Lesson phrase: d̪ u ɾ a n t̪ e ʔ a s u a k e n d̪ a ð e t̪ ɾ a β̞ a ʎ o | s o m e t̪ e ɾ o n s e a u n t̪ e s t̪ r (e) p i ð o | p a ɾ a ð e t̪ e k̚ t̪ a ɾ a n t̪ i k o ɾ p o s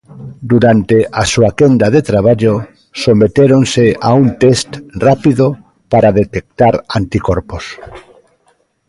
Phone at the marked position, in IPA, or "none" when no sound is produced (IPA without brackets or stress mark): a